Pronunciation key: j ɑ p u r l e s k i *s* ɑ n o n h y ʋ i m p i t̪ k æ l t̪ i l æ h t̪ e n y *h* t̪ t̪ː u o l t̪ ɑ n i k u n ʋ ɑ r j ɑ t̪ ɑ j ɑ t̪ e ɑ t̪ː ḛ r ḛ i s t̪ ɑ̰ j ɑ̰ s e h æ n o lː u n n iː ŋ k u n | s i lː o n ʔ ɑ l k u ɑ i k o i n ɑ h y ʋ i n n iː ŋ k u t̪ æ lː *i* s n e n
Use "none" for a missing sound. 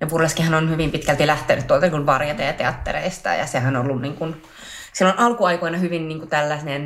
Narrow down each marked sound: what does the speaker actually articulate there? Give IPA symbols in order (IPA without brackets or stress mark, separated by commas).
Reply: h, none, æ